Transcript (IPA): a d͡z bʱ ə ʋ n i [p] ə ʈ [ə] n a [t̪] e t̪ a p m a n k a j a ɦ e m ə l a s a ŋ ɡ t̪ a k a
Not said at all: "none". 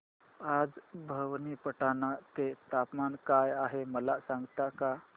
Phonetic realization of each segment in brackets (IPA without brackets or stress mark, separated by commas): p, a, t̪